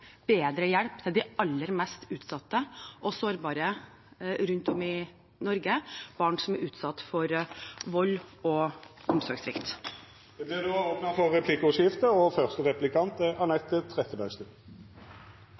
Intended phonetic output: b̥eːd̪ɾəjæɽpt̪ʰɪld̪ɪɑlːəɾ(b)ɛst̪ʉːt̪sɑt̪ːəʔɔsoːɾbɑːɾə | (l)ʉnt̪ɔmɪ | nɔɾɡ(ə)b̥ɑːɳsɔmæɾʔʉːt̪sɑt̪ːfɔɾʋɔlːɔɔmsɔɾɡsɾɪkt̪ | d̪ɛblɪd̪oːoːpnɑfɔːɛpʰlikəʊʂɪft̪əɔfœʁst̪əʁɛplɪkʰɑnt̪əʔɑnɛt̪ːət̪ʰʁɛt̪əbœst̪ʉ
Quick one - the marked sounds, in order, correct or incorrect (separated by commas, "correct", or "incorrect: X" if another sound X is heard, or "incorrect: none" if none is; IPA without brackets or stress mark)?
incorrect: m, incorrect: ɾ, correct